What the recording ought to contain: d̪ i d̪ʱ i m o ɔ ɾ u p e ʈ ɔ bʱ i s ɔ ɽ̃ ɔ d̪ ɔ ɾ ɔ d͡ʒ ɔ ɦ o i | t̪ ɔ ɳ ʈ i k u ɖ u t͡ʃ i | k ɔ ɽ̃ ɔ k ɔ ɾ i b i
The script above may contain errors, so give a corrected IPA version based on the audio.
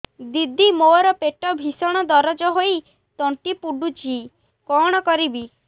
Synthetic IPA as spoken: d̪ i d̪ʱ i m o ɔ ɾ ɔ p e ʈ ɔ bʱ i s ɔ ɽ̃ ɔ d̪ ɔ ɾ ɔ d͡ʒ ɔ ɦ o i | t̪ ɔ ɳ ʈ i p u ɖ u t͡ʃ i | k ɔ ɽ̃ ɔ k ɔ ɾ i b i